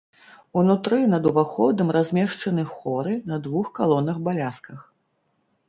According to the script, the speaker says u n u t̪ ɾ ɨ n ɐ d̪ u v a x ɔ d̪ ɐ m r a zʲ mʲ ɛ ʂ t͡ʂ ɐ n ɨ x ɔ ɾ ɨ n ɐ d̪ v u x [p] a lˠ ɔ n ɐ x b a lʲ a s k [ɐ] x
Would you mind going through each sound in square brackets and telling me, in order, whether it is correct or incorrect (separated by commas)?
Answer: incorrect, correct